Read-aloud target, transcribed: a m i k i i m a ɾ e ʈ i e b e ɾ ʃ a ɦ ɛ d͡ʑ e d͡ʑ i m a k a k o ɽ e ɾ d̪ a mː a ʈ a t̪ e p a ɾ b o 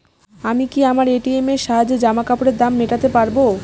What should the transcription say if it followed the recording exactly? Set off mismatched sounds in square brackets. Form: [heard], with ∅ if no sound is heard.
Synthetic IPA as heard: a m i k i [a] m a ɾ e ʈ i e [m] e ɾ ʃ a ɦ [a] d͡ʑ e d͡ʑ [a] m a k a [p] o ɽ e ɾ d̪ a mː [e] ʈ a t̪ e p a ɾ b o